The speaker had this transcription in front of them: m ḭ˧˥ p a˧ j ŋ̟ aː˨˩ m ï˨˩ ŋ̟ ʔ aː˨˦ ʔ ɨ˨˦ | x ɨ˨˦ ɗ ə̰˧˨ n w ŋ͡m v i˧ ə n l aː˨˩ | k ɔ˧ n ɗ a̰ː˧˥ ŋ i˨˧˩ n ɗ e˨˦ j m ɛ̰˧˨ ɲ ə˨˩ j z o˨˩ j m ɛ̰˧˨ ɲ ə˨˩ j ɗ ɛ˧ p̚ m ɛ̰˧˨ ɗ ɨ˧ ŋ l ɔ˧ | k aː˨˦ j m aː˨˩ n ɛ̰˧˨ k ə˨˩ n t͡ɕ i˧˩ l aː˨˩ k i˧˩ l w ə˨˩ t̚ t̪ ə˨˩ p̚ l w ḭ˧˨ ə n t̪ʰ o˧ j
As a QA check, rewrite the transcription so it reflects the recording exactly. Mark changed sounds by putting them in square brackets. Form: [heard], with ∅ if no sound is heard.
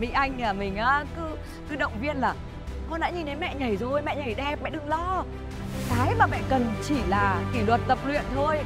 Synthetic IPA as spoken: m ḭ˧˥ [ʔ] a˧ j ŋ̟ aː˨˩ m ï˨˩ ŋ̟ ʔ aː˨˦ [k] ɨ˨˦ | [k] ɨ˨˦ ɗ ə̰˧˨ [∅] w ŋ͡m v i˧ ə n l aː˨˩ | k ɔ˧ n ɗ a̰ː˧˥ [ɲ] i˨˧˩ n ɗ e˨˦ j m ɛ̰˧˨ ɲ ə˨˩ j z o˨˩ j m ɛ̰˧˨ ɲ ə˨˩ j ɗ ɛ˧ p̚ m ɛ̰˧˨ ɗ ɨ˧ ŋ l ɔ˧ | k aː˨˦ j m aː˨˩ [m] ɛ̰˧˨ k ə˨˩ n t͡ɕ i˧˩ l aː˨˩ k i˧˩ l w ə˨˩ t̚ t̪ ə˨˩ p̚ l w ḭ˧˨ ə n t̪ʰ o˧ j

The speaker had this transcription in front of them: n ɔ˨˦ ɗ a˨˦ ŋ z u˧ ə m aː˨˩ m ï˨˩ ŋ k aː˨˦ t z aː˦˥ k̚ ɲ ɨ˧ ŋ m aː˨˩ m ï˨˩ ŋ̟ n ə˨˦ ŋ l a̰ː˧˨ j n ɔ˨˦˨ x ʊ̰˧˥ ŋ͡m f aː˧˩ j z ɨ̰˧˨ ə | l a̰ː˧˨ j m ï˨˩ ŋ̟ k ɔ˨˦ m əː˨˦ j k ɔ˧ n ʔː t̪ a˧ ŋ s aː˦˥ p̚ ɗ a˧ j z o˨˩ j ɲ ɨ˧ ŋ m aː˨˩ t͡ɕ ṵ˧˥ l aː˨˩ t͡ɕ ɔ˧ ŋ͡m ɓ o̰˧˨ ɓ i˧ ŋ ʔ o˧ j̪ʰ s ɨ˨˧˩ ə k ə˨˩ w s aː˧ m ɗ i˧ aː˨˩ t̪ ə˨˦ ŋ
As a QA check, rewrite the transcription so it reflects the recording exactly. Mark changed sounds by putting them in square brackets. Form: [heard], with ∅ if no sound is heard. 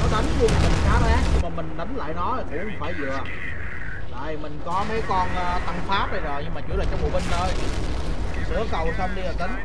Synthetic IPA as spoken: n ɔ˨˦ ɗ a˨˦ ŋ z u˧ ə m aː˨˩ m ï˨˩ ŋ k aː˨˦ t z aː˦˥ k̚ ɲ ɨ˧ ŋ m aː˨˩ m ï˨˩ ŋ̟ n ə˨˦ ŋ l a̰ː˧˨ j n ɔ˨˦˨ [k] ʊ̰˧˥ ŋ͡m f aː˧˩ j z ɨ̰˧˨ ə | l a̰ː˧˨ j m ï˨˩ ŋ̟ k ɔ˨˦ m [ə˨˦] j k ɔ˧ n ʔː t̪ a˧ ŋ [f] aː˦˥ p̚ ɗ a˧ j z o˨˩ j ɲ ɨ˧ ŋ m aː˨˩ t͡ɕ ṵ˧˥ l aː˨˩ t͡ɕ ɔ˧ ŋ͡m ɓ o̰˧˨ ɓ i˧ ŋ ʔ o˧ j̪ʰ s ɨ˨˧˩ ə k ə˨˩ w s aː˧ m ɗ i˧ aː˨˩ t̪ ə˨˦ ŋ

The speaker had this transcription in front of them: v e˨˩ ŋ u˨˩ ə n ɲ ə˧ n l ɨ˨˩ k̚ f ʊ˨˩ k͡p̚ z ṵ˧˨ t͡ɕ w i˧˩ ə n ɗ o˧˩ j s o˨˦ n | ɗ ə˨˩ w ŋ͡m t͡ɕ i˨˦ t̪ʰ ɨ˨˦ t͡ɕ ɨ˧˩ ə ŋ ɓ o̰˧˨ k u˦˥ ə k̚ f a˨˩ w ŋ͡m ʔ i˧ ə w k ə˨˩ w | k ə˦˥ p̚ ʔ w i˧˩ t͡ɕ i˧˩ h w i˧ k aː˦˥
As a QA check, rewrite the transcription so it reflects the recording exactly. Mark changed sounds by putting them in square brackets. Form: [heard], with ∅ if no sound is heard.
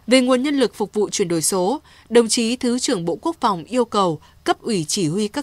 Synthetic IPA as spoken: v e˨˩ ŋ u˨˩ ə n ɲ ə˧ n l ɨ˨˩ k̚ f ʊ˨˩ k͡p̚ [v] ṵ˧˨ t͡ɕ w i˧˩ ə n ɗ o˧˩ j s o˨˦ [∅] | ɗ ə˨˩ w ŋ͡m t͡ɕ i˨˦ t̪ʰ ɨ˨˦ t͡ɕ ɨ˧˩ ə ŋ ɓ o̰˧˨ k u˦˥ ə k̚ f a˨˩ w ŋ͡m ʔ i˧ ə w k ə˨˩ w | k ə˦˥ p̚ ʔ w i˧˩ t͡ɕ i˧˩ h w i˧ k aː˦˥

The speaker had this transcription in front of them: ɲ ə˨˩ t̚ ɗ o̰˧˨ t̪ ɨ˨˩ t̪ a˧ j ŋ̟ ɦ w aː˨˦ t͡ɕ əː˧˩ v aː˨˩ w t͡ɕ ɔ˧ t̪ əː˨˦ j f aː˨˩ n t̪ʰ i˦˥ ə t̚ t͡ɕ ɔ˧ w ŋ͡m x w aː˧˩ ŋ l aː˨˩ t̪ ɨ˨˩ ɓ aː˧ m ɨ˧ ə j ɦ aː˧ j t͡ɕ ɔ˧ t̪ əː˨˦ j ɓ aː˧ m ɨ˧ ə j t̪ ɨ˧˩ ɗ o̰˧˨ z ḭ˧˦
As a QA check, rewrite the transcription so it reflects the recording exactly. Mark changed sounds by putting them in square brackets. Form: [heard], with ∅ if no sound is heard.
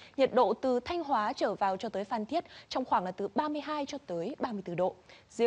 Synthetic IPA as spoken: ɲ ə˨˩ t̚ ɗ o̰˧˨ t̪ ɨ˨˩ [t̪ʰ] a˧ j ŋ̟ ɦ w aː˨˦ t͡ɕ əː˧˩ v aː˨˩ w t͡ɕ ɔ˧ t̪ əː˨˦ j f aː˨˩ n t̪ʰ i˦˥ ə t̚ t͡ɕ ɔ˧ w ŋ͡m x w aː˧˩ ŋ l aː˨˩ t̪ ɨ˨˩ ɓ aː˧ m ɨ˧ ə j ɦ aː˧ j t͡ɕ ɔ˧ t̪ əː˨˦ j ɓ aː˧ m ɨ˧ ə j t̪ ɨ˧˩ ɗ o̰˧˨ z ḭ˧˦

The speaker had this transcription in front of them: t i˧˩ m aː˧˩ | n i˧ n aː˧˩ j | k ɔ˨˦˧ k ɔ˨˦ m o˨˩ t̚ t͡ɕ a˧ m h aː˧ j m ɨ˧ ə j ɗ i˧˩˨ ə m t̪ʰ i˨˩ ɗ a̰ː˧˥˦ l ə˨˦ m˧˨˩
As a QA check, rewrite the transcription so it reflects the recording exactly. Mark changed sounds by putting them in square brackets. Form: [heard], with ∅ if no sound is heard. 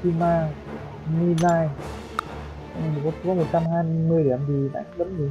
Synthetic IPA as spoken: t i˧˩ m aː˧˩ | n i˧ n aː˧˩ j | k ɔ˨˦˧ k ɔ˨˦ m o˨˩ t̚ t͡ɕ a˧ m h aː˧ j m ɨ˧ ə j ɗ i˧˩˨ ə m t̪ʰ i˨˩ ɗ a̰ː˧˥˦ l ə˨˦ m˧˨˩

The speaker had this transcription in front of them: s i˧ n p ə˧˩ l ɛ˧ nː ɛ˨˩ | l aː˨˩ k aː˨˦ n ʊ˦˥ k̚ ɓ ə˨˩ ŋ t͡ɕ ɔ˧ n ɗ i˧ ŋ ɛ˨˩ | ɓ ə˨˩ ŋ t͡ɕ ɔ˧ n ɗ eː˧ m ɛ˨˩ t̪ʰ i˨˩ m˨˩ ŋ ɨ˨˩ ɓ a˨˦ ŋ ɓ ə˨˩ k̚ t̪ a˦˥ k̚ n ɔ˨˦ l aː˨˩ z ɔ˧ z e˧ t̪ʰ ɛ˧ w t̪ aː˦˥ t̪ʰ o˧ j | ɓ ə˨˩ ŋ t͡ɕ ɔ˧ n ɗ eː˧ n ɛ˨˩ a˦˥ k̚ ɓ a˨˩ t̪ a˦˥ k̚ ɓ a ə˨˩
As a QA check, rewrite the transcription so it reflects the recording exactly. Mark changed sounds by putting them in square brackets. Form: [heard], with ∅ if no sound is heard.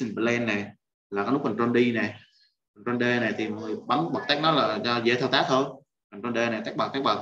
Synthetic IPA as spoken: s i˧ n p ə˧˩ l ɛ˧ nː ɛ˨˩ | l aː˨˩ k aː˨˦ n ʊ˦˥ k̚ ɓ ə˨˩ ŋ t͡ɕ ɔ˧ n ɗ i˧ [n] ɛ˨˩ | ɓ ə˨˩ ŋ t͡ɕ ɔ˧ n ɗ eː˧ [n] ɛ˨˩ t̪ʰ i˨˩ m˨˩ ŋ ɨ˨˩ ɓ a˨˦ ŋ ɓ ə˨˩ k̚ t̪ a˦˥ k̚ n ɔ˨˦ l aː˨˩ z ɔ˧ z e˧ t̪ʰ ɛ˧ w t̪ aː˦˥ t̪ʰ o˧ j | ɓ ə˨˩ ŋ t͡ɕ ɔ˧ n ɗ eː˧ n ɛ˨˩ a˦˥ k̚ ɓ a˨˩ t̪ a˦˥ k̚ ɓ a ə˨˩

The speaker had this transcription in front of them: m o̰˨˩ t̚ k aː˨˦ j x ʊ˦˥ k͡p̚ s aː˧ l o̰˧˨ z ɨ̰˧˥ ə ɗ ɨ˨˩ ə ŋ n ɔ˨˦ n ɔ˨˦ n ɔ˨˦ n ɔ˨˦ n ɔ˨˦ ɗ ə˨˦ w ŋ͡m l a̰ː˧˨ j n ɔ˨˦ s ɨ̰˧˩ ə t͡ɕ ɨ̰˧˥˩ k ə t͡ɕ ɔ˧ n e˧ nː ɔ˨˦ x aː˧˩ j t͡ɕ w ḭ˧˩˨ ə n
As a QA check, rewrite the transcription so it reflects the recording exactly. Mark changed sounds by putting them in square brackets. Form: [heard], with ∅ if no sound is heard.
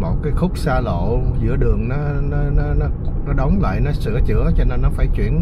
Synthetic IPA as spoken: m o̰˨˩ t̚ k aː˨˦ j x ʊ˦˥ k͡p̚ s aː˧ l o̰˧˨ z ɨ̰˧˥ ə ɗ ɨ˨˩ ə ŋ n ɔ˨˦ n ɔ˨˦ n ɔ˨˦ n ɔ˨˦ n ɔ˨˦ ɗ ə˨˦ w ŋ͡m l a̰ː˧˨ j n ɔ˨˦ s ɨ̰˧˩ ə t͡ɕ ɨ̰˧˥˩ [∅] ə t͡ɕ ɔ˧ n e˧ nː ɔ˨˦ [f] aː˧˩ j t͡ɕ w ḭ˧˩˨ ə n

